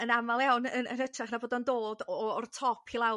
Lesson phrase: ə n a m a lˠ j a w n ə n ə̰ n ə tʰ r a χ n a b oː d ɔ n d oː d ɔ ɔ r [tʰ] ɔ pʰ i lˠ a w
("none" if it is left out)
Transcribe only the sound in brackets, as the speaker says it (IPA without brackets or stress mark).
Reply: tʰ